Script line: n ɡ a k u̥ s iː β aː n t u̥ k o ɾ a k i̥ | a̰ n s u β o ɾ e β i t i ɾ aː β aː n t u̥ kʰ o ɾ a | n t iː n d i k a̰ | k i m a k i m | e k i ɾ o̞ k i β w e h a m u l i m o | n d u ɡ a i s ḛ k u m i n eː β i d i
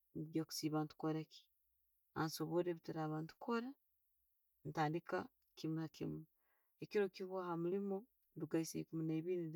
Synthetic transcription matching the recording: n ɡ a k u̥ s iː β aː n t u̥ k o ɾ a k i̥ | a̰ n s o β o ɾ e β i t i ɾ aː β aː n t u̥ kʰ o ɾ a | n t aː n d i k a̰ | k i m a k i m | e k i ɾ o̞ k i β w a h a m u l i m o | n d u ɡ a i s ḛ k u m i n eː β i n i

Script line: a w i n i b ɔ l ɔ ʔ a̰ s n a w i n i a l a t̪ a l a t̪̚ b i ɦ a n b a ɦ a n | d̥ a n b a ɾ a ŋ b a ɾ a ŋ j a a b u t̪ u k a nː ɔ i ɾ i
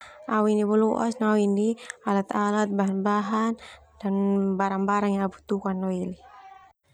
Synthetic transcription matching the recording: a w i n i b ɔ l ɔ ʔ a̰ s n a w i n i a l a t̪ a l a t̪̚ b a ɦ a n b a ɦ a n | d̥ a n b a ɾ a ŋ b a ɾ a ŋ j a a b u t̪ u k a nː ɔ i l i

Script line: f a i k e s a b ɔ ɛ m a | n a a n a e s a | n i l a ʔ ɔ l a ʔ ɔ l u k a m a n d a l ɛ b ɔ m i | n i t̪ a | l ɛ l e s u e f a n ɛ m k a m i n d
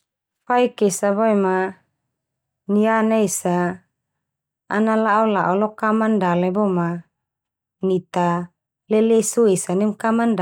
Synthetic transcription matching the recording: f a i k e s a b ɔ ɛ m a | n i a n a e s a | n a l a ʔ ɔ l a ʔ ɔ l ɔ k a m a n d a l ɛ b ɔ m a | n i t̪ a | l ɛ l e s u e s a n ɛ m k a m a n d

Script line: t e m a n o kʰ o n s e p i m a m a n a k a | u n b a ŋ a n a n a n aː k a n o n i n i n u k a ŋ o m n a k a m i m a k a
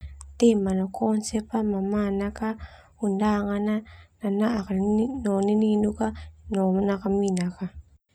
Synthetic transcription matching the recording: t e m a n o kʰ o n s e p a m a m a n a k a | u n d a ŋ a n a n a n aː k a n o n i n i n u k a n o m n a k a m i n a k a

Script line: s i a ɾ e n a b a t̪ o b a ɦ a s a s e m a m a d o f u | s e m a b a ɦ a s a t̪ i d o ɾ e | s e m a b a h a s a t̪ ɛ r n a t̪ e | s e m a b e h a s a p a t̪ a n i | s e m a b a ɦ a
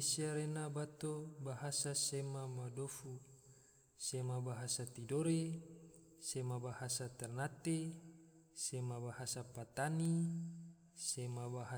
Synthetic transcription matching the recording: s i a ɾ e n a b a t̪ o b a ɦ a s a s e m a m a d o f u | s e m a b a ɦ a s a t̪ i d o ɾ e | s e m a b a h a s a t̪ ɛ r n a t̪ e | s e m a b a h a s a p a t̪ a n i | s e m a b a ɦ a

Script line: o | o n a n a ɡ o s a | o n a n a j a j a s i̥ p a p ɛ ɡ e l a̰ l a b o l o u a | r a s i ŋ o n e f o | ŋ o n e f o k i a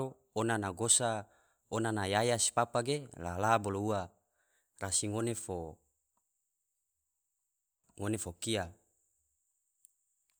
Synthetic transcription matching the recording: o | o n a n a ɡ o s a | o n a n a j a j a s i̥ p a p a ɡ e l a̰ l a b o l o u a | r a s i ŋ o n e f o | ŋ o n e f o k i a

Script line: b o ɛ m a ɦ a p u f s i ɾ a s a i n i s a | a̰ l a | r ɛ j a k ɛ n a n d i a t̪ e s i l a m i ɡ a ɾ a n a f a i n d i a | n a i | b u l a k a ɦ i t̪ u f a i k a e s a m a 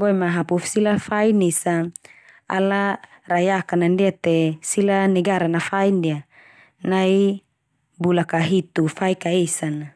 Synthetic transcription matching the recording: b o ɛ m a ɦ a p u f s i l a f a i n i s a | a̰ l a | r a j a k a n a n d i a t̪ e s i l a n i ɡ a ɾ a n a f a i n d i a | n a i | b u l a k a ɦ i t̪ u f a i k a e s a n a

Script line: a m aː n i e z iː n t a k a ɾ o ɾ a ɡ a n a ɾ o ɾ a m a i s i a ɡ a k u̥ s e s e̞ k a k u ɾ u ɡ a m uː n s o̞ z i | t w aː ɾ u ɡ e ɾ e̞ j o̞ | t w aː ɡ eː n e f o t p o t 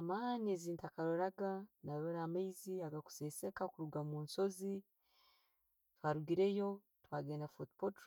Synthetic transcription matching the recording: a m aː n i e z iː n t a k a ɾ o ɾ a ɡ a n a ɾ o ɾ a m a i z i a ɡ a k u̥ s e s e̞ k a k u ɾ u ɡ a m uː n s o̞ z i | t w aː ɾ u ɡ i ɾ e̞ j o̞ | t w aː ɡ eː n a f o t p o t

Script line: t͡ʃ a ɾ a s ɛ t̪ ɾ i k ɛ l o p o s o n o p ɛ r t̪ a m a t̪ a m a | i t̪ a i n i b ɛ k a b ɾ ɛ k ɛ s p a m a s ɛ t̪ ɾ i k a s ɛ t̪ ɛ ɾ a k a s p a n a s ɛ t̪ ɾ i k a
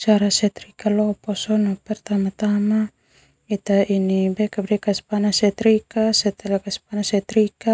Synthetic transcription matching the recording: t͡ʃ a ɾ a s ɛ t̪ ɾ i k a l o p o s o n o p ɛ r t̪ a m a t̪ a m a | i t̪ a i n i b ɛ k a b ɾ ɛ k a s p a n a s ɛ t̪ ɾ i k a s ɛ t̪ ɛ l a k a s p a n a s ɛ t̪ ɾ i k a

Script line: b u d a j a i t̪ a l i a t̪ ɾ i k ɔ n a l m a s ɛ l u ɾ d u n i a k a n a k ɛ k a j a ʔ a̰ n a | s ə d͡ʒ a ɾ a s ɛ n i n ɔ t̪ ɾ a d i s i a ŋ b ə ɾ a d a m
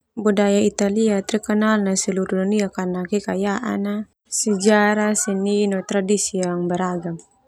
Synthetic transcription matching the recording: b u d a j a i t̪ a l i a t̪ ɾ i k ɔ n a l n a s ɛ l u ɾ d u n i a k a n a k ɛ k a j a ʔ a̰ n a | s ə d͡ʒ a ɾ a s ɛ n i n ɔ t̪ ɾ a d i s i a ŋ b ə ɾ a ɡ a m

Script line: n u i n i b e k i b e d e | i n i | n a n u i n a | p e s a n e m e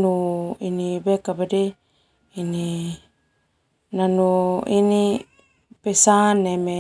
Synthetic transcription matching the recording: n u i n i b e k a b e d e | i n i | n a n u i n i | p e s a n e m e

